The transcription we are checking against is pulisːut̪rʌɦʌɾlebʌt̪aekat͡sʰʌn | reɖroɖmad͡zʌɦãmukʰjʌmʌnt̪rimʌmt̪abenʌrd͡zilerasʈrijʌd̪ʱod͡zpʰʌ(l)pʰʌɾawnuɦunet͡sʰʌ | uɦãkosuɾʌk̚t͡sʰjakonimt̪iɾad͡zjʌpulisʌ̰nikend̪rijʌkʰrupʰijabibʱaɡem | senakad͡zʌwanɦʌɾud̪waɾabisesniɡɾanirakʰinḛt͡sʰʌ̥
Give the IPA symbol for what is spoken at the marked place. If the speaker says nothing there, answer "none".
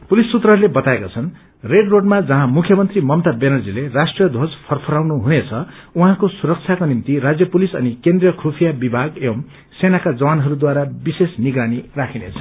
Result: r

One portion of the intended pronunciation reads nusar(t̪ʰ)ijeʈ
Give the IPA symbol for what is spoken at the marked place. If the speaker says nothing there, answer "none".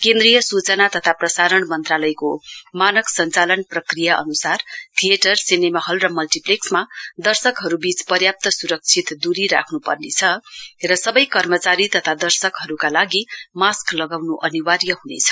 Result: t̪ʰ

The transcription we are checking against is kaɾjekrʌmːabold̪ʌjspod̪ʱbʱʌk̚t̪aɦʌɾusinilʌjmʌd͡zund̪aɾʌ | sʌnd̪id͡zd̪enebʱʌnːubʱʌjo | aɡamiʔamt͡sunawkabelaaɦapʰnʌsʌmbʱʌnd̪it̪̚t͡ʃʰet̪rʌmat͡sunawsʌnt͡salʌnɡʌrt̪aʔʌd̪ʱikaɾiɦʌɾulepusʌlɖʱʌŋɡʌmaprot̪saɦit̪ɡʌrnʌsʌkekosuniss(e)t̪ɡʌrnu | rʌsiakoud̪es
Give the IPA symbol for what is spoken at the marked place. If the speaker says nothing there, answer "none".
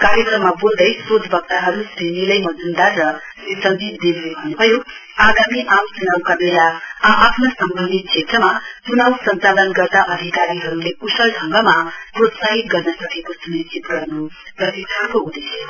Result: i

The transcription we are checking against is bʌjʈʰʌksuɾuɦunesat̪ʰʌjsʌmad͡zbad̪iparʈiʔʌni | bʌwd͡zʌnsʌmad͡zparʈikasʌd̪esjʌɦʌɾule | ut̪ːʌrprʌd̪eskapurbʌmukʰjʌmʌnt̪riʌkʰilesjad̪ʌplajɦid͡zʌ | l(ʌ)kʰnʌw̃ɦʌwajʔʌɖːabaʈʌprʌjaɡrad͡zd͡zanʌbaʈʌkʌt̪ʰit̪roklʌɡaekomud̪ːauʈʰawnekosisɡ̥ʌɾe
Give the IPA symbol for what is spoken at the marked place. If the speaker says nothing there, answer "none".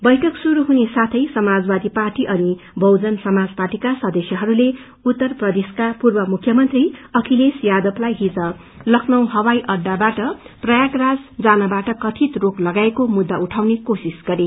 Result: ʌ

